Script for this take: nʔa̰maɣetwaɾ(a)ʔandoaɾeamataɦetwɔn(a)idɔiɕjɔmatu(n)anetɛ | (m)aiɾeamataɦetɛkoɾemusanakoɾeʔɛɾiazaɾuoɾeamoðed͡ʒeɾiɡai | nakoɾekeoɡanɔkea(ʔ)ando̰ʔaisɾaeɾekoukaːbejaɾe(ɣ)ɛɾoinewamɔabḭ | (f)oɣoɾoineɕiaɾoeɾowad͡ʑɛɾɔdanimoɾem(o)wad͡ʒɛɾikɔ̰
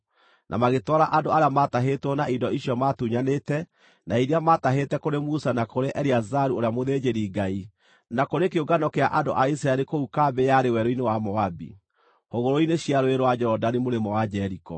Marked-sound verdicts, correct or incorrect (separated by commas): correct, correct, incorrect, incorrect, correct, incorrect, incorrect, incorrect